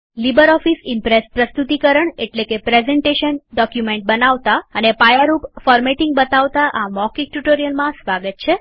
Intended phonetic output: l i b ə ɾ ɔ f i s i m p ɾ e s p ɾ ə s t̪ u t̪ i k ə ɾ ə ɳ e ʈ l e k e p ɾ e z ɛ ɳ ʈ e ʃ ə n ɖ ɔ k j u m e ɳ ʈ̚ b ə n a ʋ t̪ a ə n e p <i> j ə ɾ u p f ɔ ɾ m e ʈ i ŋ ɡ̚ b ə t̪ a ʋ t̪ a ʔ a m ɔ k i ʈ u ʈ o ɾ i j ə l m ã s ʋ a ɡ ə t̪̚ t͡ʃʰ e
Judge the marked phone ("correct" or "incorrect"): incorrect